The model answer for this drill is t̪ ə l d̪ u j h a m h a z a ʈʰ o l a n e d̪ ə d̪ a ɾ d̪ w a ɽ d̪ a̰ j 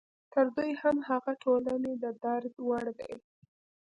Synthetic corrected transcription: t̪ ə ɾ d̪ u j h a m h a ɣ a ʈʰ o l a n e d̪ ə d̪ a ɾ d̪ w a ɽ d̪ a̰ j